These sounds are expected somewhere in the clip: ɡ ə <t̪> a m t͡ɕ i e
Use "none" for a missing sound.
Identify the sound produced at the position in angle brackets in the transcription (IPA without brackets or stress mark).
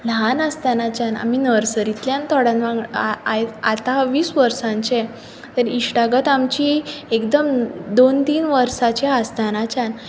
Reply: t̪